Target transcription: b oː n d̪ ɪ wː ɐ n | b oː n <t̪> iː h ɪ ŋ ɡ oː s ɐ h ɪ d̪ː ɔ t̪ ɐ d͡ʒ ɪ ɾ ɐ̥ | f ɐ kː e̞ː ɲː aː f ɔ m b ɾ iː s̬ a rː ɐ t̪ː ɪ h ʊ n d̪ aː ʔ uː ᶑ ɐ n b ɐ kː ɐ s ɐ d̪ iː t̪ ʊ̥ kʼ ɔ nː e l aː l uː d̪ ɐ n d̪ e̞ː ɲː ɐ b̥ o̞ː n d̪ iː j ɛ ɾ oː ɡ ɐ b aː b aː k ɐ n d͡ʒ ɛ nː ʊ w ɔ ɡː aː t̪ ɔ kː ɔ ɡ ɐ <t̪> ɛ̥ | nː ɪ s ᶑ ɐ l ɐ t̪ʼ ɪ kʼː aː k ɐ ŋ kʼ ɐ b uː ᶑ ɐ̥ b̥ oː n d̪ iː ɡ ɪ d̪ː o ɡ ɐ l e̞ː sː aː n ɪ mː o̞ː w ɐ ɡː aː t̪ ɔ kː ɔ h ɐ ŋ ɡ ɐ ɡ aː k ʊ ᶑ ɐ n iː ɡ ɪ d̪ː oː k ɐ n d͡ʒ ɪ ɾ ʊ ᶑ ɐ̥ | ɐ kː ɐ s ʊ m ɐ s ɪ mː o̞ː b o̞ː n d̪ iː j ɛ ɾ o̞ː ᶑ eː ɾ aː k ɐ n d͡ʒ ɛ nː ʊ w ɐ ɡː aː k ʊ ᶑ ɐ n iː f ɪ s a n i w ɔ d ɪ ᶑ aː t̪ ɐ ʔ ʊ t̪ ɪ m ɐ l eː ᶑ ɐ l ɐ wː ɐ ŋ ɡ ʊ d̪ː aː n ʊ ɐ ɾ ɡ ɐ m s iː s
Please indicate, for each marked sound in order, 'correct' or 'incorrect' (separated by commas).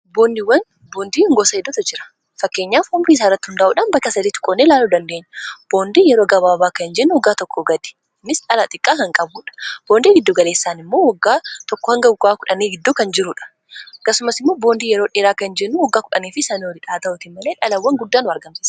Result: incorrect, incorrect